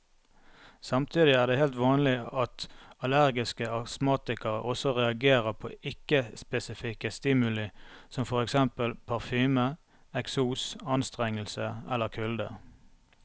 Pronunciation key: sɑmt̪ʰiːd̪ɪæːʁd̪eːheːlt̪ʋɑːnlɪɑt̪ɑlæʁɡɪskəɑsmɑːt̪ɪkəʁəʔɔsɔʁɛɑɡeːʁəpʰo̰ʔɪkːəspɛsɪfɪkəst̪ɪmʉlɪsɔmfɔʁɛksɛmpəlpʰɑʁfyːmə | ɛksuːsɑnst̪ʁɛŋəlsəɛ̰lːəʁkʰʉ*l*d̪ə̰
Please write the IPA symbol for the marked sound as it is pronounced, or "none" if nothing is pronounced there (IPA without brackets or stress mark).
l